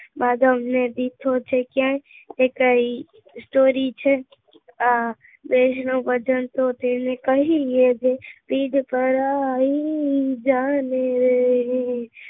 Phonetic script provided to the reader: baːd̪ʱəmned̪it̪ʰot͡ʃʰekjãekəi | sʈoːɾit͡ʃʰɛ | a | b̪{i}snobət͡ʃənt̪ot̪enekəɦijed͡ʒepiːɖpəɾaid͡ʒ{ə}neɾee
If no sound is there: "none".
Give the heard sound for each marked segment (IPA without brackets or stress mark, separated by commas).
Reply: e, a